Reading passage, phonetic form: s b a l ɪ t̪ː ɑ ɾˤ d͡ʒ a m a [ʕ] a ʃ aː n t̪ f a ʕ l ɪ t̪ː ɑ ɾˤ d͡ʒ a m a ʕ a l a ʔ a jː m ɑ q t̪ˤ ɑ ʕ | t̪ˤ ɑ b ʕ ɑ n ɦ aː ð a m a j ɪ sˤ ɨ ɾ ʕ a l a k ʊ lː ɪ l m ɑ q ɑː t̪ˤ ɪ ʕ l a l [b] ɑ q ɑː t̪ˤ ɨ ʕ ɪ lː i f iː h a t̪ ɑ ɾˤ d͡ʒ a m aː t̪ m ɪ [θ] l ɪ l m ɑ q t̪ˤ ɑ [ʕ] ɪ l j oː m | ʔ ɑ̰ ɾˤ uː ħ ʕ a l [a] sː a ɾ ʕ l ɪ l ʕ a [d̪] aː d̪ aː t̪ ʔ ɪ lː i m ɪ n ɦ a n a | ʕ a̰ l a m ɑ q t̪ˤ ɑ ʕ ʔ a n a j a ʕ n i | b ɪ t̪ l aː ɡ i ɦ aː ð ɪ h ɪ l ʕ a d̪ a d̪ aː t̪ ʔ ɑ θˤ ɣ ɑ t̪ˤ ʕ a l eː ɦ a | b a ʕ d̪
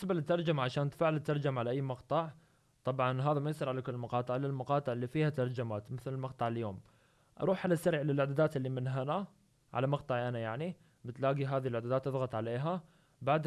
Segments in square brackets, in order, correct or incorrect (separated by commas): correct, incorrect, correct, correct, correct, correct